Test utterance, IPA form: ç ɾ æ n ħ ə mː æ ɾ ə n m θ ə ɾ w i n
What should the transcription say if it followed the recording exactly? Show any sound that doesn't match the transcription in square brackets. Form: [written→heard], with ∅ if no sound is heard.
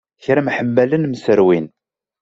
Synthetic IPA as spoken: ç ɾ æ [n→m] ħ ə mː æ [ɾ→l] ə n m [θ→s] ə ɾ w i n